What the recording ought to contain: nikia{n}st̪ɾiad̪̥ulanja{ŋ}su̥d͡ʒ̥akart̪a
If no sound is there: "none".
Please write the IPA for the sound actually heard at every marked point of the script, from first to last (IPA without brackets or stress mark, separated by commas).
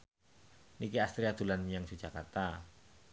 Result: none, ŋ